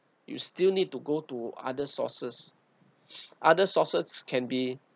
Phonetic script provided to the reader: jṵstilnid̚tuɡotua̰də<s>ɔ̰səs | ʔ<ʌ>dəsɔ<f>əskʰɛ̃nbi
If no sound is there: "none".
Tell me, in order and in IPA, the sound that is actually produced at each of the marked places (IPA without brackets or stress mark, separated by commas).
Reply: s, a, s